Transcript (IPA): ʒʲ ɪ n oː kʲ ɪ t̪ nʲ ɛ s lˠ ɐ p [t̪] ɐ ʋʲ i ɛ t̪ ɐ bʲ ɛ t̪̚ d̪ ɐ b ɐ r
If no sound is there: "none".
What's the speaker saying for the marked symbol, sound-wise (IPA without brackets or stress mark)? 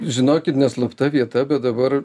t̪